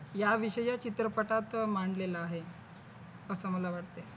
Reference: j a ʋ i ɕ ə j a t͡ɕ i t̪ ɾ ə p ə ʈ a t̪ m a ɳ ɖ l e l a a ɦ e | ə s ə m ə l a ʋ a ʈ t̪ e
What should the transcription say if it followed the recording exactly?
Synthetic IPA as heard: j a ʋ i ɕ ə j a t͡ɕ i t̪ ɾ ə p ə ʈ a t̪ m a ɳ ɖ l e l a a ɦ e | ə s ə m ə l a ʋ a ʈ t̪ e

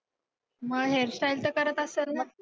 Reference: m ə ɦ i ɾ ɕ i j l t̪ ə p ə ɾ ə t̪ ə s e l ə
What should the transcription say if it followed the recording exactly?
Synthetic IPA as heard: m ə ɦ e ɾ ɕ a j l t̪ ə k ə ɾ ə t̪ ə s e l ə

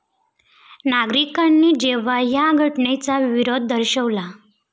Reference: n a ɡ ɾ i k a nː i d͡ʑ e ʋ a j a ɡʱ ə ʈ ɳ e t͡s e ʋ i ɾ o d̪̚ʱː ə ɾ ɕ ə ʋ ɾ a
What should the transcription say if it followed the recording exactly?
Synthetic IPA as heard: n a ɡ ɾ i k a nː i d͡ʑ e ʋ a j a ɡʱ ə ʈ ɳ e t͡s a ʋ i ɾ o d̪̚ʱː ə ɾ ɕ ə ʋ l a

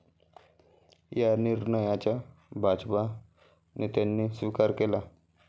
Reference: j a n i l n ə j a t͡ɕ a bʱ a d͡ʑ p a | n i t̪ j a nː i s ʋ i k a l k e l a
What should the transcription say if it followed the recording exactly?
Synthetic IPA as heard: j a n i ɾ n ə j a t͡ɕ a bʱ a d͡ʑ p a | n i t̪ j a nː i s ʋ i k a ɾ k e l a

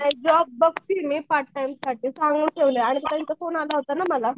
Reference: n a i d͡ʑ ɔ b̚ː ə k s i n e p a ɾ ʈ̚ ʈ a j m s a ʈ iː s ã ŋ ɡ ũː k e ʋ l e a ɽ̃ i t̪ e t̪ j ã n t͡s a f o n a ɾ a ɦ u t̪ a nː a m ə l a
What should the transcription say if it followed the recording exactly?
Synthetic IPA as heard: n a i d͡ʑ ɔ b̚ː ə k s i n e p a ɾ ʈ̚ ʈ a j m s a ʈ iː s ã ŋ ɡ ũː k e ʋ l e a ɽ̃ i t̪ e t̪ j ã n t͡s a f o n a l a ɦ o t̪ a n a m ə l a

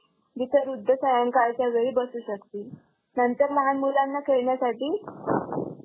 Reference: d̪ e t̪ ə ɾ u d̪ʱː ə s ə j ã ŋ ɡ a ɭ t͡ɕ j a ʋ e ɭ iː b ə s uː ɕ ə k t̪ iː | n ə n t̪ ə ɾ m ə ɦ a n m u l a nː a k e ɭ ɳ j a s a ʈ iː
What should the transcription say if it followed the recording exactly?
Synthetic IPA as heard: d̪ i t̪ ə ɾ u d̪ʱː ə s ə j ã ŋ k a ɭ t͡ɕ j a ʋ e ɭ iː b ə s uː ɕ ə k t̪ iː | n ə n t̪ ə ɾ m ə ɦ a n m u l a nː a k e ɭ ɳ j a s a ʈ iː

